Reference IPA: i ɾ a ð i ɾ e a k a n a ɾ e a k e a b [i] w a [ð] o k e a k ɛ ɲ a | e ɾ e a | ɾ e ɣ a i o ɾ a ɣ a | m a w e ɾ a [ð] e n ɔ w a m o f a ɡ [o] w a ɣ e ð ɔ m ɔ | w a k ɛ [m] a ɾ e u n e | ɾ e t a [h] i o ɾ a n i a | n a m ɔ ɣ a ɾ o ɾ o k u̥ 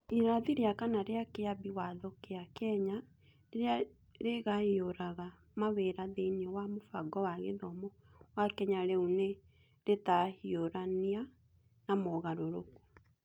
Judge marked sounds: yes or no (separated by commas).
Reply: yes, yes, yes, no, no, yes